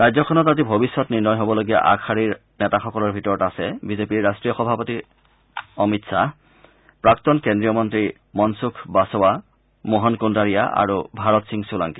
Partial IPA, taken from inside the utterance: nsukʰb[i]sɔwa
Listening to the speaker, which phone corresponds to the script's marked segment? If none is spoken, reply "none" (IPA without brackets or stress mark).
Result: a